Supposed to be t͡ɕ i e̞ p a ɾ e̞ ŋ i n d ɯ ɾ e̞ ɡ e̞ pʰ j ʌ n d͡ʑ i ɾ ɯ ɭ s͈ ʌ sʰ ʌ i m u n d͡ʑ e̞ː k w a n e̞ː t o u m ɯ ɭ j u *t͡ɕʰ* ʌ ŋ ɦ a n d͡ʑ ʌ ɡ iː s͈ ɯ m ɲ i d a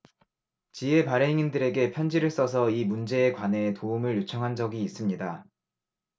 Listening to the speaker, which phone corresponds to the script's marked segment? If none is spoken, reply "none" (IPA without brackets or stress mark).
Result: t͡ɕʰ